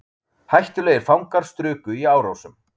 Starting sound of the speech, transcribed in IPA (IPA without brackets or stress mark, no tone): h